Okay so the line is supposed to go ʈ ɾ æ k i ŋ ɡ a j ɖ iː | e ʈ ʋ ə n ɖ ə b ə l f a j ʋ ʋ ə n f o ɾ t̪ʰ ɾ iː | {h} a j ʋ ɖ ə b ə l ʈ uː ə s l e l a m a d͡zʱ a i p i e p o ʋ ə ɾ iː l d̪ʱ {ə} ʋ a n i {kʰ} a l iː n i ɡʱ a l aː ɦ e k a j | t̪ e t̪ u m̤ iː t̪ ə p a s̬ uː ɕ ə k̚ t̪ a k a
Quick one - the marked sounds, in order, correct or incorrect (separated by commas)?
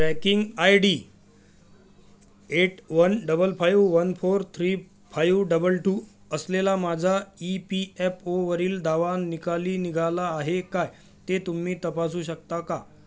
incorrect, incorrect, incorrect